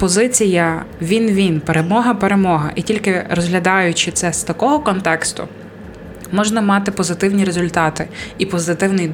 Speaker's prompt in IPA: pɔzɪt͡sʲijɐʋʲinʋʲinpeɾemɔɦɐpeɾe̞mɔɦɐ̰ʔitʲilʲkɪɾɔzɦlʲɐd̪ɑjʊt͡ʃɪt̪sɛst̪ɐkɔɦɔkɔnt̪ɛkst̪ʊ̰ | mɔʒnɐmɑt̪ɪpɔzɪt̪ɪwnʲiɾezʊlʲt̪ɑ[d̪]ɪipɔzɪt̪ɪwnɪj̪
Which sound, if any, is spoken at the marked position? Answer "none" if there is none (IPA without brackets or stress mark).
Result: t̪